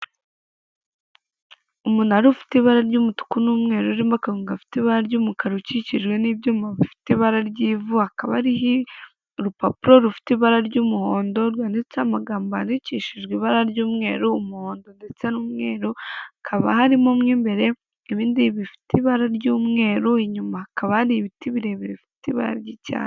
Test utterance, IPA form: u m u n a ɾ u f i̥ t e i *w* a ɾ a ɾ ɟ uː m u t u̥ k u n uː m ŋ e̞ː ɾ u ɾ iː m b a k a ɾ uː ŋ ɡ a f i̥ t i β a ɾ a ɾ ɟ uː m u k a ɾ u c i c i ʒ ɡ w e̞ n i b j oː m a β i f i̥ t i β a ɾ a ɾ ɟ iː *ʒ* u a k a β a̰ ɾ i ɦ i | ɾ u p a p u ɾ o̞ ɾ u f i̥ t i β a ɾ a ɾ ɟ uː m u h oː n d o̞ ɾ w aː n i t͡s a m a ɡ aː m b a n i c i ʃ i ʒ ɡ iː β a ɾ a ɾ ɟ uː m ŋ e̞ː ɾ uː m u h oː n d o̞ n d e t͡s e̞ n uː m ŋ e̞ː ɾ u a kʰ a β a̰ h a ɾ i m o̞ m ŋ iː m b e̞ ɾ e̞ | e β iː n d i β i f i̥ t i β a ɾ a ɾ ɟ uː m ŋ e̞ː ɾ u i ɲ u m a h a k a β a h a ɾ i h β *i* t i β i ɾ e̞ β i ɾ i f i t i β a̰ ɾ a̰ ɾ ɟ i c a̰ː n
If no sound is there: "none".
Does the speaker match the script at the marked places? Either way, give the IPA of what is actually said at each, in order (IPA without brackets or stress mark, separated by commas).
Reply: β, v, i